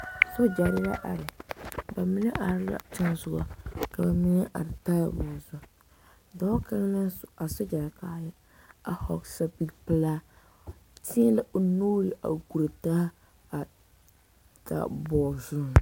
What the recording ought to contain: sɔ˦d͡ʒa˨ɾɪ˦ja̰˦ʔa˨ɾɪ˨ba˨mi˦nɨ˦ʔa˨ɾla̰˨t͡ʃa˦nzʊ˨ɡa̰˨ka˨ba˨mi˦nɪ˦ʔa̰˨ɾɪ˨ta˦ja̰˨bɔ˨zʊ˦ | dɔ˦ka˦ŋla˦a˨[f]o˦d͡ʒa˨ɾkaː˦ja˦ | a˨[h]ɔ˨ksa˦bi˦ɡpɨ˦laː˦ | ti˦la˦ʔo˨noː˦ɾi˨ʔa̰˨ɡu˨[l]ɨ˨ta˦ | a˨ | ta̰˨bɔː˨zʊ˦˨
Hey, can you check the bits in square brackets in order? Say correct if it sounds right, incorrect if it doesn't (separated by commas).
incorrect, correct, incorrect